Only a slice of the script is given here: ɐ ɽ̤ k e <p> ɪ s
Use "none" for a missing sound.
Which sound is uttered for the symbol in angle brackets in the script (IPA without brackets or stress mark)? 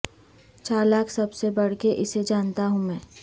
ʔ